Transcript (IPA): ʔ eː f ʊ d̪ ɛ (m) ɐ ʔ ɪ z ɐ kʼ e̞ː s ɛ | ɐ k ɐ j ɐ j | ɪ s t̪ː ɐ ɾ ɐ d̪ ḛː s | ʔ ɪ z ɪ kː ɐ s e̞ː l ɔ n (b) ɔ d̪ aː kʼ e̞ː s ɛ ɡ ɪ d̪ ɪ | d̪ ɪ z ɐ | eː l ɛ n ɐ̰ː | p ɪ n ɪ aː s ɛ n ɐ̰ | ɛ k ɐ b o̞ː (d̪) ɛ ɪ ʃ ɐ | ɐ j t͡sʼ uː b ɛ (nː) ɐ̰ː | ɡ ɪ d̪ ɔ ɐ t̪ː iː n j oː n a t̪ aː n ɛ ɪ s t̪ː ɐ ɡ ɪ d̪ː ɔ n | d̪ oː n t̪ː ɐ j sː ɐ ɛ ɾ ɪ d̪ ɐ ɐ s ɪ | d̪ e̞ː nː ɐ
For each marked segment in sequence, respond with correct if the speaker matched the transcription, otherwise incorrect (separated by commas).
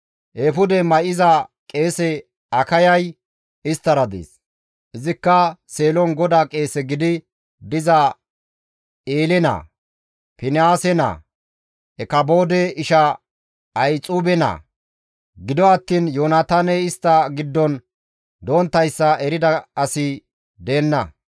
correct, incorrect, correct, incorrect